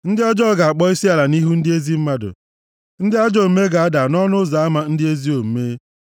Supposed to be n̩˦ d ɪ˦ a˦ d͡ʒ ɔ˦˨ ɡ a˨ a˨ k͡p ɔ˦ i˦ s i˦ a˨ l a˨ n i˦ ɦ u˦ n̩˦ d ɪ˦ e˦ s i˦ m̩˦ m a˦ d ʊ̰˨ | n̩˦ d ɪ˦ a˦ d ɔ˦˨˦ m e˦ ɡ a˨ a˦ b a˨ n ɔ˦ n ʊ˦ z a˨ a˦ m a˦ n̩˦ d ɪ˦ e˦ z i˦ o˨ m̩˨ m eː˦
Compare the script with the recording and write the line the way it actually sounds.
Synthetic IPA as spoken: n̩˦ d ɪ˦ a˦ d͡ʒ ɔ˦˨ ɡ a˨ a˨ k͡p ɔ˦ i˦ s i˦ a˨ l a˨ n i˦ ɦ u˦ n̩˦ d ɪ˦ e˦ z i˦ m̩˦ m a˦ d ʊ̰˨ | n̩˦ d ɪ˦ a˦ d͡ʒ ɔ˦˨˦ m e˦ ɡ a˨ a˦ d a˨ n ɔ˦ n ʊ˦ z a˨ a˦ m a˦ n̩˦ d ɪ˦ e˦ z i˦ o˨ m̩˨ m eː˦